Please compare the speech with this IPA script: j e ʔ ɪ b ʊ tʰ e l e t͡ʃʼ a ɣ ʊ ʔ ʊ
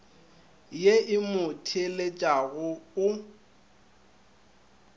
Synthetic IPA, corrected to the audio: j e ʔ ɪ m ʊ tʰ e l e t͡ʃʼ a ɣ ʊ ʊ